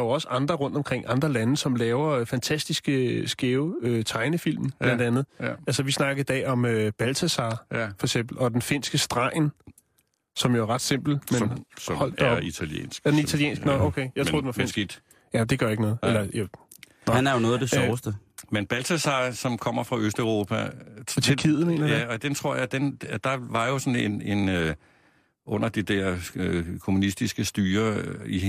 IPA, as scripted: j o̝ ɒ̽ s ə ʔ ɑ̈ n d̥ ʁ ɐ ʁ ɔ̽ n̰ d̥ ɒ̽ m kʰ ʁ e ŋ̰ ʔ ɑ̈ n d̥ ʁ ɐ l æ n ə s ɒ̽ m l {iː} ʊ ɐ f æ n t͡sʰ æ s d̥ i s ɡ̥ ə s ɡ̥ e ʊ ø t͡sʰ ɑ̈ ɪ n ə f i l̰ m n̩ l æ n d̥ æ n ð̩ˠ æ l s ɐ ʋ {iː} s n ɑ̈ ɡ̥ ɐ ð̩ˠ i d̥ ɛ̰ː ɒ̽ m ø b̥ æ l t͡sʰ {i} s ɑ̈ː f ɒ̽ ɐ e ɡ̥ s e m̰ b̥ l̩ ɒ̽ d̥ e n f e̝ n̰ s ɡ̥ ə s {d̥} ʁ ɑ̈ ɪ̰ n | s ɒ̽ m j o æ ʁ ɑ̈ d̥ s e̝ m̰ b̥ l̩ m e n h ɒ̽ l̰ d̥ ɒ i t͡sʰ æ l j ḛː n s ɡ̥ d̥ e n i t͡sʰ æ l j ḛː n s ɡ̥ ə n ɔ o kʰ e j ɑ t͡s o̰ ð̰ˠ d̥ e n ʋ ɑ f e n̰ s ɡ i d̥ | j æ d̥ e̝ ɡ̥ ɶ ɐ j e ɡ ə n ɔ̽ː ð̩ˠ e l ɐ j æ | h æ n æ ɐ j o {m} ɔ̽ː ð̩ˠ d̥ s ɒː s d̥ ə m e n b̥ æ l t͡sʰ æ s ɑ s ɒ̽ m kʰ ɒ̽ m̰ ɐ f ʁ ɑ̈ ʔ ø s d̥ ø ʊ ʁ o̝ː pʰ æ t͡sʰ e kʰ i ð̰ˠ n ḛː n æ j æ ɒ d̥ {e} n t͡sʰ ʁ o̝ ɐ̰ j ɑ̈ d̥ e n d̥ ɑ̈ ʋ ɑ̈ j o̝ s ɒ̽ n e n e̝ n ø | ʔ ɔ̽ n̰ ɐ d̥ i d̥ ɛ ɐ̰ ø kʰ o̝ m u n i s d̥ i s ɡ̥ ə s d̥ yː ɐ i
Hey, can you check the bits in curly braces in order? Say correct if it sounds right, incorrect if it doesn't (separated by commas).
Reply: incorrect, incorrect, incorrect, correct, incorrect, correct